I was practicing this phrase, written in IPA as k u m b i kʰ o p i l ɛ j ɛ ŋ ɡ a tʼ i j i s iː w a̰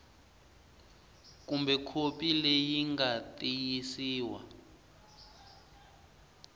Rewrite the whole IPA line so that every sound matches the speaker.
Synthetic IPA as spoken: k u m b ɛ kʰ o p i l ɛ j i ŋ ɡ a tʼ i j i s iː w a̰